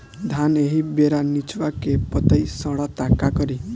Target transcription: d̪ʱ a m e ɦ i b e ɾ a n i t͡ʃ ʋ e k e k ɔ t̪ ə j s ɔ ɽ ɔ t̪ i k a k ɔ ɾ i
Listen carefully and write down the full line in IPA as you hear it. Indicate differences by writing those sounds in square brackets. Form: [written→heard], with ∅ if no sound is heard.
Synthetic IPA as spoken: d̪ʱ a [m→n] e ɦ i b e ɾ a n i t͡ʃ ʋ [e→a] k e [k→p] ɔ t̪ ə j s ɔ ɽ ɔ t̪ [i→a] k a k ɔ ɾ i